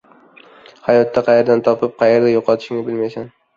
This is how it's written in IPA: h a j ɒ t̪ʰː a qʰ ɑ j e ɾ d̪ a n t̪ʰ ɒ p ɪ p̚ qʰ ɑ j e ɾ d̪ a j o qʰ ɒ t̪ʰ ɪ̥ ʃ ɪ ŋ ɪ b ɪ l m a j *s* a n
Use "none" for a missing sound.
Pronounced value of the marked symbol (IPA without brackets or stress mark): s